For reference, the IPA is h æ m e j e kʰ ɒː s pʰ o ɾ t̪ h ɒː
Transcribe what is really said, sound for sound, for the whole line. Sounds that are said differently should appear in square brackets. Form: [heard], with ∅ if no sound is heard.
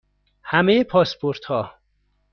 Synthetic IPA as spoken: h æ m e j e [pʰ] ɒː s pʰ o ɾ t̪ h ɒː